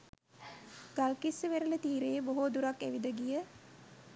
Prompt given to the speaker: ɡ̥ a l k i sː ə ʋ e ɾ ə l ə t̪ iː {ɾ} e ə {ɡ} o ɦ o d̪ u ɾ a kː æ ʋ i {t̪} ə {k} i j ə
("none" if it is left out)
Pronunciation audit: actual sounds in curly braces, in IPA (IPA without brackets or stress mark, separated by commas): ɾ, b, d̪, ɡ